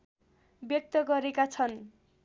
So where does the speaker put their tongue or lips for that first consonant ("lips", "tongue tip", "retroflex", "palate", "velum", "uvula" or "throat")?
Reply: lips